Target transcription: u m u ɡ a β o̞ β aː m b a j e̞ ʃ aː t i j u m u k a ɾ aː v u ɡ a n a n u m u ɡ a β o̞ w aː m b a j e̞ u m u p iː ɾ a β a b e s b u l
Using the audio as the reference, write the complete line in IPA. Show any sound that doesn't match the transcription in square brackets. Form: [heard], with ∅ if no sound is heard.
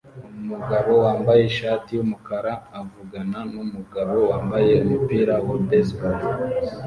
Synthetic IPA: u m u ɡ a β o̞ [w] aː m b a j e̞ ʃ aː t i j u m u k a ɾ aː v u ɡ a n a n u m u ɡ a β o̞ w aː m b a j e̞ u m u p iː ɾ a [w] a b e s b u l